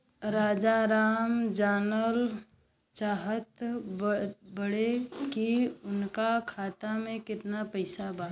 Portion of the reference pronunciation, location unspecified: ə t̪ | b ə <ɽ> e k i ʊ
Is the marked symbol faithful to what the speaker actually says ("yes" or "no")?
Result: yes